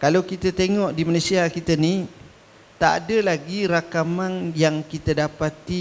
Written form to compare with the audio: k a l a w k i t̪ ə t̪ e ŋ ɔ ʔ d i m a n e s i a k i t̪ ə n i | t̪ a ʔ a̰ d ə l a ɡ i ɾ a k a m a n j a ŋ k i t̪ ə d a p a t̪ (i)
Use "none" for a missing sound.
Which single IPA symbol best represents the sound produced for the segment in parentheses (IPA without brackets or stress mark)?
i